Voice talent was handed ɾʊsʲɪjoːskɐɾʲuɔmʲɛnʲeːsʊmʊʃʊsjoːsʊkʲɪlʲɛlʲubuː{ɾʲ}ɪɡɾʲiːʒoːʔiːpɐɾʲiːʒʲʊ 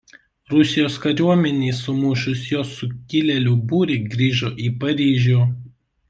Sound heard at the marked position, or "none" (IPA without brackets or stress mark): ɾʲ